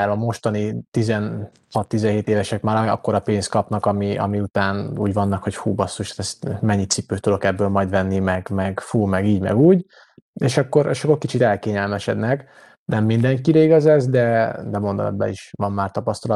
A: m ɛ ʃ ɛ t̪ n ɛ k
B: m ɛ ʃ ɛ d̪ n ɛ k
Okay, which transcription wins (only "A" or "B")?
B